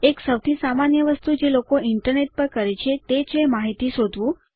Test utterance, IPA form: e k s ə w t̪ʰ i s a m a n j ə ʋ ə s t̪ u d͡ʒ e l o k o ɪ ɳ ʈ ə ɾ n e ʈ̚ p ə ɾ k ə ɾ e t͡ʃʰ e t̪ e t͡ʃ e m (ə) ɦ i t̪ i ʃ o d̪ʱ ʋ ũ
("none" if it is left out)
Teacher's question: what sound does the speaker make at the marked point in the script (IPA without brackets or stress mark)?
a